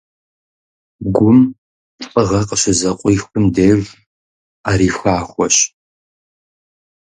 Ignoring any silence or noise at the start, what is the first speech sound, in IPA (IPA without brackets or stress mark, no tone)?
ɡʷ